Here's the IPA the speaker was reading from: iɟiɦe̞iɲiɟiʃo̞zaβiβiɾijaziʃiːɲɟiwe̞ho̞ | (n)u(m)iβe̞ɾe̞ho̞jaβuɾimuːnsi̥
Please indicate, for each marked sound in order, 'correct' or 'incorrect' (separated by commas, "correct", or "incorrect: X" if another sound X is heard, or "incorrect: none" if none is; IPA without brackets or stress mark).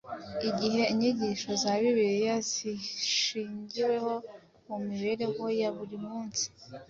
incorrect: m, correct